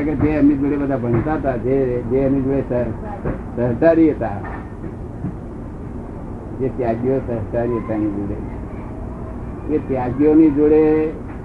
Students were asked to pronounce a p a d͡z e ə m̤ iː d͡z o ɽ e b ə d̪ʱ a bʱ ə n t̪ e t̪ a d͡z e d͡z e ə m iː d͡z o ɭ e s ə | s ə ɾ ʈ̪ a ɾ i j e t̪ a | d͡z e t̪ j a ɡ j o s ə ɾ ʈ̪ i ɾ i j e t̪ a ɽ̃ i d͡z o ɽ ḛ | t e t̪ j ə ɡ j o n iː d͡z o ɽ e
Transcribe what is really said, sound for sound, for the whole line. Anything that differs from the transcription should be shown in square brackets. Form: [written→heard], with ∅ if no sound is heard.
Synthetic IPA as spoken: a [p→k] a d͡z e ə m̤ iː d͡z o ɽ e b ə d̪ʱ a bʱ ə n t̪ [e→a] t̪ a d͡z e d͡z e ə m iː d͡z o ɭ e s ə | s ə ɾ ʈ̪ a ɾ i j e t̪ a | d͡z e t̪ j a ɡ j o s ə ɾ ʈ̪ [i→a] ɾ i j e t̪ a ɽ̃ i d͡z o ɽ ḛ | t e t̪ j [ə→a] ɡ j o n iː d͡z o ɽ e